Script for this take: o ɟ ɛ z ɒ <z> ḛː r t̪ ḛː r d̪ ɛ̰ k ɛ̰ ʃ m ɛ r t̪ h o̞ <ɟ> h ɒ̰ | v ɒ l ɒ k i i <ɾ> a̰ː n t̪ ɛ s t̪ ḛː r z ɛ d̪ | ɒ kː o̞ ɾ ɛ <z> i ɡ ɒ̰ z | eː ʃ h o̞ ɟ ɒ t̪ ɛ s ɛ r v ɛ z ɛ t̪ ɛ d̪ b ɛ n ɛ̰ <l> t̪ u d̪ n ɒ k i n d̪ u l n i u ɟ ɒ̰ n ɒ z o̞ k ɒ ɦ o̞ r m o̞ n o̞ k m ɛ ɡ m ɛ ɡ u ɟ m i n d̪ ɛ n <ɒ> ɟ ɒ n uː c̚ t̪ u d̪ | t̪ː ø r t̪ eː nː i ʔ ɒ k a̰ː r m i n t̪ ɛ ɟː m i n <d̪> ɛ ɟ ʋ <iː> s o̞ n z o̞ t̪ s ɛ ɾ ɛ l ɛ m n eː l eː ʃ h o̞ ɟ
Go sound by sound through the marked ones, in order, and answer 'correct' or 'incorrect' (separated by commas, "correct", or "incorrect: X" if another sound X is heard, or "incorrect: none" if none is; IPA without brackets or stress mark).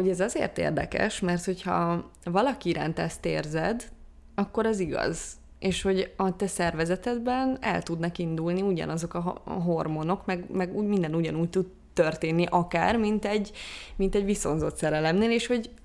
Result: correct, incorrect: c, correct, correct, correct, incorrect: u, incorrect: t̪, incorrect: i